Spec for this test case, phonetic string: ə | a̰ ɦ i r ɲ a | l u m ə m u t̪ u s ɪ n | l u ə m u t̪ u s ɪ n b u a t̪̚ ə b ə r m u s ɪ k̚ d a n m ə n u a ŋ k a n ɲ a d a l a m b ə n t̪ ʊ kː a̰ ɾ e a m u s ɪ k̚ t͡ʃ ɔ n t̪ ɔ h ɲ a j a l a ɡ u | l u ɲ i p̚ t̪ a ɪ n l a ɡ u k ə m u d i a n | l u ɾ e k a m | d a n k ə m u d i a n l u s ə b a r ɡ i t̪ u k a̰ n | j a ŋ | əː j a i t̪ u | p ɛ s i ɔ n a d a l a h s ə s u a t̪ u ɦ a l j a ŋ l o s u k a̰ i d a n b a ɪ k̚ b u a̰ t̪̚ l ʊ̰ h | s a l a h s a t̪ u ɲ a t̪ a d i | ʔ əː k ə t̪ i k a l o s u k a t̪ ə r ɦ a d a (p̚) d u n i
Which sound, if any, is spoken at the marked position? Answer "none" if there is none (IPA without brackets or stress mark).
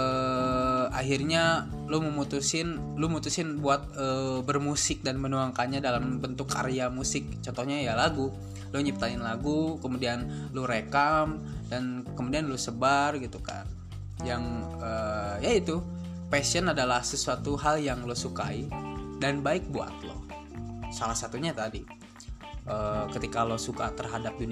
p̚